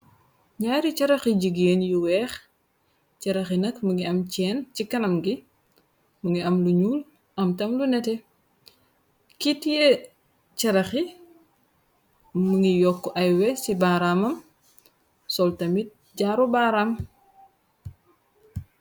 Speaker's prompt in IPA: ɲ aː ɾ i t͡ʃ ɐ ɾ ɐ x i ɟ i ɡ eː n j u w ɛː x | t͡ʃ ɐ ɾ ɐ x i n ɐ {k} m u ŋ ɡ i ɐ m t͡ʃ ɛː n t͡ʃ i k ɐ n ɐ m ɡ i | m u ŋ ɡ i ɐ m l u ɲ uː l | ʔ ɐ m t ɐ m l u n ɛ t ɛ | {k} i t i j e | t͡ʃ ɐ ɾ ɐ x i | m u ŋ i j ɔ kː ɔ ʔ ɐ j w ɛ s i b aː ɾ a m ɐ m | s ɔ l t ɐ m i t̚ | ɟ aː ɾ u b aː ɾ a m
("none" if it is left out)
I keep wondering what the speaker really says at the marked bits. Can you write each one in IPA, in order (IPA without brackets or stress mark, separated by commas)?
k, k